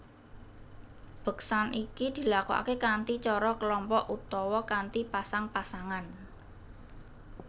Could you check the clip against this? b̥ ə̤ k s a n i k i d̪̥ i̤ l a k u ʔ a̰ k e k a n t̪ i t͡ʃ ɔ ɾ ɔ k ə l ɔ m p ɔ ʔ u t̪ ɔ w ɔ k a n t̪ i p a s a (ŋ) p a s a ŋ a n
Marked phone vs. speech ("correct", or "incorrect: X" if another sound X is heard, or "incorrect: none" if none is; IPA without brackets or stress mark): correct